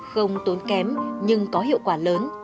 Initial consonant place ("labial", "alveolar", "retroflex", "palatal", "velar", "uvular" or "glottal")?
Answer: velar